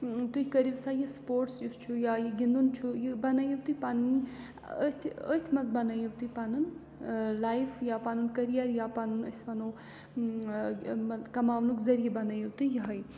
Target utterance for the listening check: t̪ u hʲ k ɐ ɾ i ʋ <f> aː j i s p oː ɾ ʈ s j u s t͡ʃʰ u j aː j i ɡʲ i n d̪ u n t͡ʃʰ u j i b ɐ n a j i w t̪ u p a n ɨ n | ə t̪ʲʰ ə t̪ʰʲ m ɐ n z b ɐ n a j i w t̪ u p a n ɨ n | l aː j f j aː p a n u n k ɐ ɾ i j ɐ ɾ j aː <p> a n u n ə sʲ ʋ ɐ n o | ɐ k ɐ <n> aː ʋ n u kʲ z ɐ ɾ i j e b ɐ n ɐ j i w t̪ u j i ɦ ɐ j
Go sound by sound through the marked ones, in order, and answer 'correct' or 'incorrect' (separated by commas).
incorrect, correct, incorrect